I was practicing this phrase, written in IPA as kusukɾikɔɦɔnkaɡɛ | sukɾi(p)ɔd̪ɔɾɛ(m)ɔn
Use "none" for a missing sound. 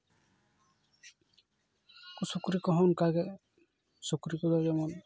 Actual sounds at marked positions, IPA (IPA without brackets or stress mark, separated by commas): k, m